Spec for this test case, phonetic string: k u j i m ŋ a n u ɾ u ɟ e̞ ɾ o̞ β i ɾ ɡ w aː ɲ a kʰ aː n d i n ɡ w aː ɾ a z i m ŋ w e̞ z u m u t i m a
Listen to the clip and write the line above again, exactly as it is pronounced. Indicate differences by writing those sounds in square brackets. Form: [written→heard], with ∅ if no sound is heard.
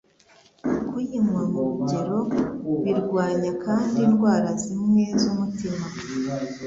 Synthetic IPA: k u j i m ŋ a [n→m] u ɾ u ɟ e̞ ɾ o̞ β i ɾ ɡ w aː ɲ a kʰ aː n d i n ɡ w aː ɾ a z i m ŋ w e̞ z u m u t i m a